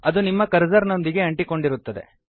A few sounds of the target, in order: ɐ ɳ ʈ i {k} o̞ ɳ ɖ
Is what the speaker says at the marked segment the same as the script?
yes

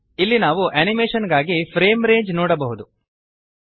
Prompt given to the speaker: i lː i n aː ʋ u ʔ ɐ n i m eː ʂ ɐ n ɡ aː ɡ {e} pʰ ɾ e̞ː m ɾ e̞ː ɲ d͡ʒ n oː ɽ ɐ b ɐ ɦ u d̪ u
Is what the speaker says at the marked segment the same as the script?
no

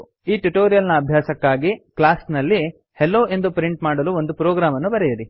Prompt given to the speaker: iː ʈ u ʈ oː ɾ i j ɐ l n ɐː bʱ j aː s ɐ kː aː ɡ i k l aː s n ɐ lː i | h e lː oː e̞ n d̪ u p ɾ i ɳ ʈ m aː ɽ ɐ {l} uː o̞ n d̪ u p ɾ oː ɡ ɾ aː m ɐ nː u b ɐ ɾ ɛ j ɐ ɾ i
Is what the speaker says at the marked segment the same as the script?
yes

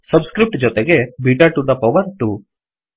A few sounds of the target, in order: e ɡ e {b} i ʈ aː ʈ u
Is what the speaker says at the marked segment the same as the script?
yes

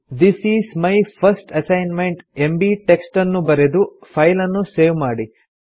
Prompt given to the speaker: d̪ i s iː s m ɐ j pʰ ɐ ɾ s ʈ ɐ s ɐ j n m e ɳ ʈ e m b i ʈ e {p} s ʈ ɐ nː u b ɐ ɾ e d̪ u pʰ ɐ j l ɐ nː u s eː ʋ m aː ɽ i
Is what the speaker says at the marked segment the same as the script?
no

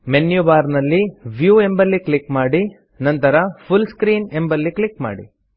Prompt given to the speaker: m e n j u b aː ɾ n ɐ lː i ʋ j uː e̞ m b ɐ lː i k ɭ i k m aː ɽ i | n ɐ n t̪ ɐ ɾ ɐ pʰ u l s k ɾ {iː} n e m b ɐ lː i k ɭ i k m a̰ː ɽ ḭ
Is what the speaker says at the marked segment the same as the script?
yes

